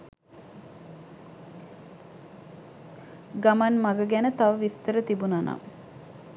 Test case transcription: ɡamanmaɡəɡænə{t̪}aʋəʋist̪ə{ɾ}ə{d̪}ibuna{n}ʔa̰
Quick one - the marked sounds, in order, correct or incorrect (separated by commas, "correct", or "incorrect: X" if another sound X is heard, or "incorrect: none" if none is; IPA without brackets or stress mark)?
correct, correct, incorrect: t̪, correct